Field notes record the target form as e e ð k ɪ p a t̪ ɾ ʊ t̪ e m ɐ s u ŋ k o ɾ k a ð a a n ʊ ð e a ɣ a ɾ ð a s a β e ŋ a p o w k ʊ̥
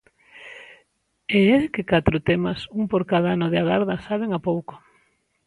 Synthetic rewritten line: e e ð k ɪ k a t̪ ɾ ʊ t̪ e m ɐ s u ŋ p o ɾ k a ð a a n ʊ ð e a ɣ a ɾ ð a s a β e ŋ a p o w k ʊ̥